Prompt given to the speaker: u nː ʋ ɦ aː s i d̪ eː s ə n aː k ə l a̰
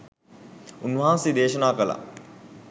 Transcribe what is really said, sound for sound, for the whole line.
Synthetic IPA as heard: u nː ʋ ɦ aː s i d̪ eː ʃ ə n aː k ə l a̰

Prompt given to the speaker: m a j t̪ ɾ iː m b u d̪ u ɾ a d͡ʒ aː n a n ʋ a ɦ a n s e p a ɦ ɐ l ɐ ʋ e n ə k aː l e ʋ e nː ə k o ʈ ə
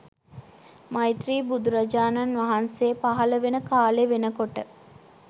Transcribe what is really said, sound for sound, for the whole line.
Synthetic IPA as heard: m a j t̪ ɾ iː b u d̪ u ɾ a d͡ʒ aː n a n ʋ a ɦ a n s e p a ɦ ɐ l ə ʋ e n ə k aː l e ʋ e n ə k o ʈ ə

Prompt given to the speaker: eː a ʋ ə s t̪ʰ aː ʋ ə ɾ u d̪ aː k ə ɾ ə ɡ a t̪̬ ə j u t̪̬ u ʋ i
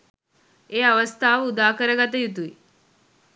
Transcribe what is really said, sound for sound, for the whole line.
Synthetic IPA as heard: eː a ʋ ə s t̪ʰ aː ʋ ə u d̪ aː k ə ɾ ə ɡ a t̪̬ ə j u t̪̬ u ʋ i

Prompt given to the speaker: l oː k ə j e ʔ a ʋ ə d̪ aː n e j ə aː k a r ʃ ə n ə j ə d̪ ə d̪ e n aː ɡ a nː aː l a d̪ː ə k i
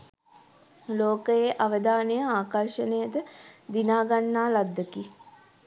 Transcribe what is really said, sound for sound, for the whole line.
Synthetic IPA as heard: l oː k ə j e ʔ a ʋ ə d̪ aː n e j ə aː k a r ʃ ə n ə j ə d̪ ə d̪ i n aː ɡ a nː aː l a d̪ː ə k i

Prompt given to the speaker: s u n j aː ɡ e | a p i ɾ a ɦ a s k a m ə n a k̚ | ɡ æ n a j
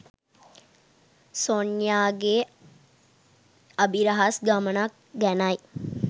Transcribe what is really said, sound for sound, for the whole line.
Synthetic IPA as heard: s o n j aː ɡ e | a b i ɾ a ɦ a s ɡ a m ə n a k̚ | ɡ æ n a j

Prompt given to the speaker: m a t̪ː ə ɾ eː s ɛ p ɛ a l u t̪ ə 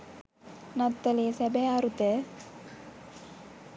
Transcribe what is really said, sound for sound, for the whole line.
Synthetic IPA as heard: n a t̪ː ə l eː s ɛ b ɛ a ɾ u t̪ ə

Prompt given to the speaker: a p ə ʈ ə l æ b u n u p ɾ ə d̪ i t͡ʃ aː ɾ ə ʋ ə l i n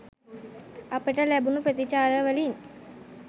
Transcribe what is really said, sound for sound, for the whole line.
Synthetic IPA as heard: a p ə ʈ ə l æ b u n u p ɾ ə t̪ i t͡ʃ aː ɾ ə ʋ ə l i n

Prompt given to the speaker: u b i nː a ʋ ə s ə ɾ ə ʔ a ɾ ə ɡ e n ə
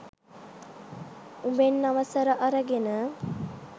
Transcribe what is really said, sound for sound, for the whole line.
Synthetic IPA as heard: u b e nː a ʋ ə s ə ɾ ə ʔ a ɾ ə ɡ e n ə

